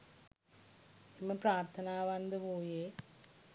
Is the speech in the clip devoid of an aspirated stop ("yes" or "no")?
no